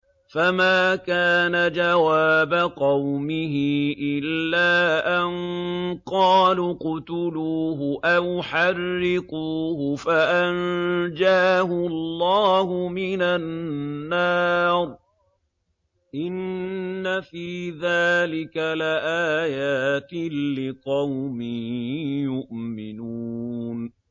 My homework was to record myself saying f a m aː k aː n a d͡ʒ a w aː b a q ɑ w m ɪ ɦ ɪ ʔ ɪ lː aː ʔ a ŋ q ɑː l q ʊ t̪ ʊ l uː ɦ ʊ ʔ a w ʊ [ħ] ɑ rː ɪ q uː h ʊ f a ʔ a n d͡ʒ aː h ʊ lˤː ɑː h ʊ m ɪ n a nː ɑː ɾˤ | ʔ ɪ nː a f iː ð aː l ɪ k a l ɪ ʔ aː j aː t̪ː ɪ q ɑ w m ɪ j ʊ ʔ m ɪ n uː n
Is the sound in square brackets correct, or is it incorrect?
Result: correct